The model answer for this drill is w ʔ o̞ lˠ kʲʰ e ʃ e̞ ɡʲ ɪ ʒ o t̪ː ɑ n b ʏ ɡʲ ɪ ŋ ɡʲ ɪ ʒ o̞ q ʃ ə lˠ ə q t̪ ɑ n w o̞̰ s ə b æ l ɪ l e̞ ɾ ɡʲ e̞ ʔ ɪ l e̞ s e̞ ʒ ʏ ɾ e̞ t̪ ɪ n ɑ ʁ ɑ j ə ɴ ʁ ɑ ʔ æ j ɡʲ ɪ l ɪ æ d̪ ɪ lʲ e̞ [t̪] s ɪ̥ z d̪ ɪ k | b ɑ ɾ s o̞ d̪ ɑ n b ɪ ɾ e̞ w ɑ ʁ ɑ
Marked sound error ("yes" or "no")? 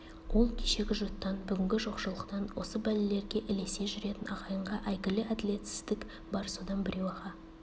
no